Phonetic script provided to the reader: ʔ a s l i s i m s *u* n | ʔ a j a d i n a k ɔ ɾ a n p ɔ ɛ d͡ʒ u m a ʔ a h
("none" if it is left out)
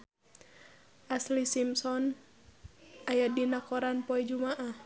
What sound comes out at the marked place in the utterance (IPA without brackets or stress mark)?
ɔ